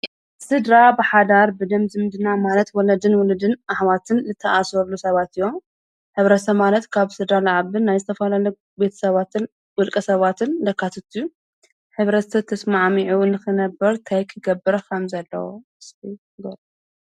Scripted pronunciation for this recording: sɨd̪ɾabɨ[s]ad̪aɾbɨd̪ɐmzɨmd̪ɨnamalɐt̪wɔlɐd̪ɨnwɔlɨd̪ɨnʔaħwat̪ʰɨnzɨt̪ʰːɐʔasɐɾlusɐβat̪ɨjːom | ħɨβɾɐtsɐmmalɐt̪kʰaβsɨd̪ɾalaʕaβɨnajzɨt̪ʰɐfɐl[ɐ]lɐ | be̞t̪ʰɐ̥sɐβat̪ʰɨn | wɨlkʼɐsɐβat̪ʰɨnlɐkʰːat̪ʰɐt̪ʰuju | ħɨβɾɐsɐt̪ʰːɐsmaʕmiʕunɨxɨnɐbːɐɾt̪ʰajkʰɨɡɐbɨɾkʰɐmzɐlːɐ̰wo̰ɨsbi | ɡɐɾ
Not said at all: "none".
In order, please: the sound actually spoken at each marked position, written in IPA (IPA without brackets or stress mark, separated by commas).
ħ, a